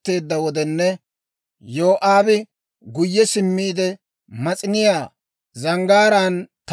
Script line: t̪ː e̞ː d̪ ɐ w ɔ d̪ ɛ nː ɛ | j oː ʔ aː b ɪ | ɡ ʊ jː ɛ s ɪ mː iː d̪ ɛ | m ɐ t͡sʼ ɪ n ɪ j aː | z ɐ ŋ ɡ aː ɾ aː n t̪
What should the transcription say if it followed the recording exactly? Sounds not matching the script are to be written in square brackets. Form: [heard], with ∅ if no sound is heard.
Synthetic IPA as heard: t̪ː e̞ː [d̪ː] ɐ w ɔ d̪ ɛ nː ɛ | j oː ʔ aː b ɪ | ɡ ʊ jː ɛ s ɪ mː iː d̪ ɛ | m ɐ t͡sʼ ɪ n ɪ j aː | z ɐ ŋ ɡ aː ɾ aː n t̪